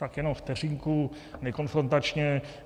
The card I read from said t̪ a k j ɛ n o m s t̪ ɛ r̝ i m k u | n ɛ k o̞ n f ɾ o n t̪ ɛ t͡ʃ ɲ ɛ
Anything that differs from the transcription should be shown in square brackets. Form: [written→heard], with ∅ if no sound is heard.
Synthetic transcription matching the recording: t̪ a k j ɛ n o m [s→f] t̪ ɛ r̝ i [m→ŋ] k u | n ɛ k o̞ n f ɾ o n t̪ [ɛ→a] t͡ʃ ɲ ɛ